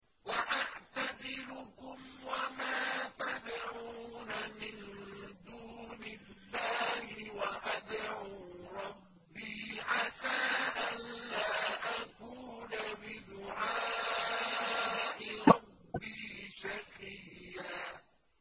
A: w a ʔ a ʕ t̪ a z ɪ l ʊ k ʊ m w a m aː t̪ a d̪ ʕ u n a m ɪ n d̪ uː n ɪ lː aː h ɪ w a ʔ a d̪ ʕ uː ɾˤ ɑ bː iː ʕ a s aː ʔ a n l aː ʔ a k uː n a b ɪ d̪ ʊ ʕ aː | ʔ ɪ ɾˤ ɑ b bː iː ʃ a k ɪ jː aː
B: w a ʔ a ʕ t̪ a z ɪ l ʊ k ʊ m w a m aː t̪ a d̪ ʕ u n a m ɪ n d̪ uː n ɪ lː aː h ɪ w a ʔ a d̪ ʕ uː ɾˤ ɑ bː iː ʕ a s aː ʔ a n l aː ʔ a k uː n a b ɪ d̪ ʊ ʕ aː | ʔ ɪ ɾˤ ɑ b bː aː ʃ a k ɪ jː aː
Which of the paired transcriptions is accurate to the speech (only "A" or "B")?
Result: A